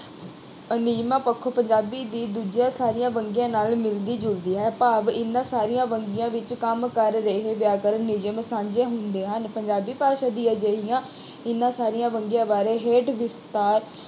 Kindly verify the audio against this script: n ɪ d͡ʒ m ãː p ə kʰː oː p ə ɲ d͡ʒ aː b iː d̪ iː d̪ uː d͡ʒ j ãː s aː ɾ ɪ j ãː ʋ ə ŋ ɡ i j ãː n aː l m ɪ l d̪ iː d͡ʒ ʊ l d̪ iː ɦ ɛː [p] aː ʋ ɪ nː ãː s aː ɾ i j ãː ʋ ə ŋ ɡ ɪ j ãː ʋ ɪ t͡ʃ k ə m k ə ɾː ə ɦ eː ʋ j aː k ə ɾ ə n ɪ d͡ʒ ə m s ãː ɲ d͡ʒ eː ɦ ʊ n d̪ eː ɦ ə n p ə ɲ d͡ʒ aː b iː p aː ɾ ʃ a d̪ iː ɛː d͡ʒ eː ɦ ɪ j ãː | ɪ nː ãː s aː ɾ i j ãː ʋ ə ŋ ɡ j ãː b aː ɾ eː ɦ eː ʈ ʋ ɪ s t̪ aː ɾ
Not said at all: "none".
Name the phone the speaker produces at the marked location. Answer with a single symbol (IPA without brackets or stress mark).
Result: p